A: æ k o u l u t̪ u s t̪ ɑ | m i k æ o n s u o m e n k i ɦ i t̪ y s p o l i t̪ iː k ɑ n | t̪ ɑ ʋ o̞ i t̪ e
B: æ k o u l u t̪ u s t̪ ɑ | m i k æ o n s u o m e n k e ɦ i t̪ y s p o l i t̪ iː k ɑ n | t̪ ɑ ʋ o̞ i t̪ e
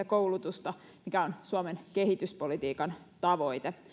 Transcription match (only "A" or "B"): B